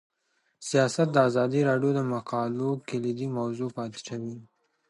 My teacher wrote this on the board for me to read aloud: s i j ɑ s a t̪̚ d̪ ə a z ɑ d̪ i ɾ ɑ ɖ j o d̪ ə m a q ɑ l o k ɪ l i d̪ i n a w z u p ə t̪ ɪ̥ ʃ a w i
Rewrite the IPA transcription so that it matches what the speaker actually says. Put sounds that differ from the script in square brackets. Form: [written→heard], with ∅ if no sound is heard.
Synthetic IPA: s i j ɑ s a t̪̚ d̪ ə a z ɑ d̪ i ɾ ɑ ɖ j o d̪ ə m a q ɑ l o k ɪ l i d̪ i [n→m] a w z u p [ə→ɑ] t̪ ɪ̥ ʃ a w i